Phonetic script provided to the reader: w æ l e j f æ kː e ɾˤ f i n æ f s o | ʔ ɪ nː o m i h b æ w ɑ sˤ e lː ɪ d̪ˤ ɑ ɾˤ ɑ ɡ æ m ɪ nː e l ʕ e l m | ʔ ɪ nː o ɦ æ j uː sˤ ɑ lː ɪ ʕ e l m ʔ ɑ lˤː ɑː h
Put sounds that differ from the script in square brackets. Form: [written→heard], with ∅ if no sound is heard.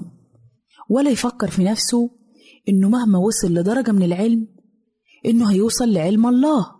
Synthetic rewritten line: w æ l [e→æ] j f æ kː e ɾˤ f i n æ f s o | ʔ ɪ nː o m [i→æ] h [b→m] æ w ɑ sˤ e lː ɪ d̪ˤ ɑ ɾˤ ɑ ɡ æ m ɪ [nː→n] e l ʕ e l m | ʔ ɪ nː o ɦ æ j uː sˤ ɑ lː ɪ ʕ e l m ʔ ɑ lˤː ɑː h